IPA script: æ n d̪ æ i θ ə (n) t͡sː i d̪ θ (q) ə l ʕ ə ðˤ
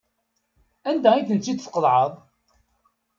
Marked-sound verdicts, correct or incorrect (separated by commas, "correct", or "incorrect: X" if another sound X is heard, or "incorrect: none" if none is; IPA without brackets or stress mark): correct, correct